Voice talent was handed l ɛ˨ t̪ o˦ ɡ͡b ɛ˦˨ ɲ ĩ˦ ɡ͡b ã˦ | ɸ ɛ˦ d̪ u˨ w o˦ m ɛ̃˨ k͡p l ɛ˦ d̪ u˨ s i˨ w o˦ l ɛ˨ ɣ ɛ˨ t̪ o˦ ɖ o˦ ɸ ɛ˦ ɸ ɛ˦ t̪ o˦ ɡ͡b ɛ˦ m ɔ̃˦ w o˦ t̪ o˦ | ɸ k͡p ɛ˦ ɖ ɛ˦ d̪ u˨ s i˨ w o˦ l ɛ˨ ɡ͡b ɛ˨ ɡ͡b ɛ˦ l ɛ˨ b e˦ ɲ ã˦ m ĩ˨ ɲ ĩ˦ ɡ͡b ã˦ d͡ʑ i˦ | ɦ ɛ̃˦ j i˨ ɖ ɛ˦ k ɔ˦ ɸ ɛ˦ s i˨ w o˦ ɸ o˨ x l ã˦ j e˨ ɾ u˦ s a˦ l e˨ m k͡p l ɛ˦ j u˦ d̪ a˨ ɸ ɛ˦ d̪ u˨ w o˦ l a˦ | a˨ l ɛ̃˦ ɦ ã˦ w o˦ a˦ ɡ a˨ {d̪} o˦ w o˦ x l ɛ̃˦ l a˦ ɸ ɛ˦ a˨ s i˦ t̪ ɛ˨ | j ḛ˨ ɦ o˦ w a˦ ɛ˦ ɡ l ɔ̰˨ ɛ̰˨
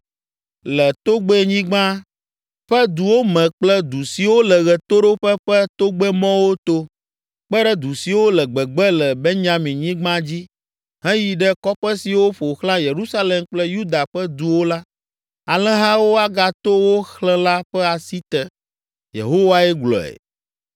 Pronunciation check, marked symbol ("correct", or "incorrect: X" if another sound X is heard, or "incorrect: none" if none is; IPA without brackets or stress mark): incorrect: t̪